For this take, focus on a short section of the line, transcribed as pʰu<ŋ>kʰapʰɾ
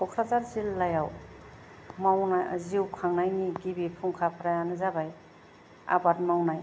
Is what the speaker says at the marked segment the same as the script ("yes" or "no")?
yes